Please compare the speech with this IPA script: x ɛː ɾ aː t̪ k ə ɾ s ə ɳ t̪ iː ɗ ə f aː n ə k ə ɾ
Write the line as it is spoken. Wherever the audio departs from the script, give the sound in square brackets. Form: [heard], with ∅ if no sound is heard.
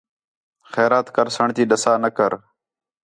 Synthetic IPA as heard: x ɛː ɾ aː t̪ k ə ɾ s ə ɳ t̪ iː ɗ ə [s] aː n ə k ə ɾ